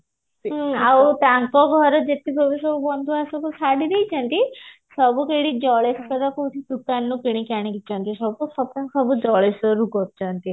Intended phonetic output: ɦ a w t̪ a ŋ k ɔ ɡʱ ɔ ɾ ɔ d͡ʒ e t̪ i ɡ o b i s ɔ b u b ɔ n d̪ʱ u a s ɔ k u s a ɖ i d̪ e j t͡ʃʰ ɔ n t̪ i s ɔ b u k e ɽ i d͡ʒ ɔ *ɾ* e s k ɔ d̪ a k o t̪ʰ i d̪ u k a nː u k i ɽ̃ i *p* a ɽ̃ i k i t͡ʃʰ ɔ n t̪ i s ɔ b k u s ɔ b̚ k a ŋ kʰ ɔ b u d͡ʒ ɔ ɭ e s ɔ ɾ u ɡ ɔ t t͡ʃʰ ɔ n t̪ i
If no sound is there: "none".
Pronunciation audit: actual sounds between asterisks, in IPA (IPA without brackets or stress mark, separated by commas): ɭ, k